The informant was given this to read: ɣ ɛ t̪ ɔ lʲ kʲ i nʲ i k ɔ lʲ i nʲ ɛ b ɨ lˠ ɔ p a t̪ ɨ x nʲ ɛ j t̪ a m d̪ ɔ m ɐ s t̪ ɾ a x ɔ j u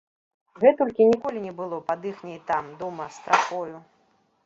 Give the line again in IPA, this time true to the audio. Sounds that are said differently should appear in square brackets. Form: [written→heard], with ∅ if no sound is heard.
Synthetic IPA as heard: ɣ ɛ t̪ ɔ lʲ kʲ i nʲ i k ɔ lʲ i nʲ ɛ b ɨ lˠ ɔ p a [t̪→d̪] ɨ x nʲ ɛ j t̪ a m d̪ ɔ m ɐ s t̪ ɾ a x ɔ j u